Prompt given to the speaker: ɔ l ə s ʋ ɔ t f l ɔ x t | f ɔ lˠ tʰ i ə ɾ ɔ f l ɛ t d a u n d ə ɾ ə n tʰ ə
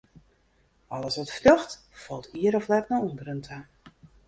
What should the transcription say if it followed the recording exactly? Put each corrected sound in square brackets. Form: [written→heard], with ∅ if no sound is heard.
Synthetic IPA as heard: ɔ l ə s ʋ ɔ t f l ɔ x t | f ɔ lˠ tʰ i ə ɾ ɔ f l ɛ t [d→n] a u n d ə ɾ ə n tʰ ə